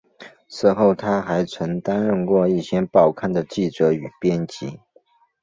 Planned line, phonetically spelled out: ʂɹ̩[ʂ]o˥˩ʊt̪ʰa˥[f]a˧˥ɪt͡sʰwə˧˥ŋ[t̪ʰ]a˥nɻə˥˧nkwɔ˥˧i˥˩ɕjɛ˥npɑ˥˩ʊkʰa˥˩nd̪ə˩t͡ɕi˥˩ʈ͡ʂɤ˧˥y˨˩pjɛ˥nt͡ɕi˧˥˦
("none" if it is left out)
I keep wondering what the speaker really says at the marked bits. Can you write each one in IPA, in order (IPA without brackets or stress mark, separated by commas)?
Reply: x, x, t̪